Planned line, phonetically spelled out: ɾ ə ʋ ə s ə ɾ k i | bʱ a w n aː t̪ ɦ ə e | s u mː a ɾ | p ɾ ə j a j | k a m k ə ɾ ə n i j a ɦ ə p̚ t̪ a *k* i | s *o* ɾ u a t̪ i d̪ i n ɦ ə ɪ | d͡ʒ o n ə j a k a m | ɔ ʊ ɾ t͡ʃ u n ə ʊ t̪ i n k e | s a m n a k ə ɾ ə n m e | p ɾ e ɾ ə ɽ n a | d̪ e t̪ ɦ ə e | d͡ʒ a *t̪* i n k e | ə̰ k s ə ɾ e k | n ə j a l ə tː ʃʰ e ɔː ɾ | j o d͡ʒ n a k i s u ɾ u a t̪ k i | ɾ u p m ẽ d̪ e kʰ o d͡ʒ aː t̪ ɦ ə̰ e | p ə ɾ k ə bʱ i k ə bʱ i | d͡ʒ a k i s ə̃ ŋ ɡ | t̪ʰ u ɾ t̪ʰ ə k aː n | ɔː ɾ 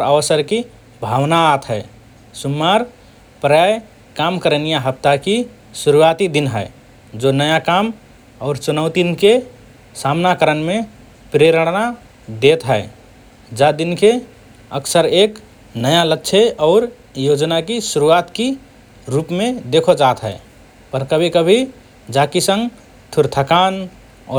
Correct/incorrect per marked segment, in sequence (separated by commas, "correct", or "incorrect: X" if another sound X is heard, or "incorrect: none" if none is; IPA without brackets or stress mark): correct, incorrect: u, incorrect: d̪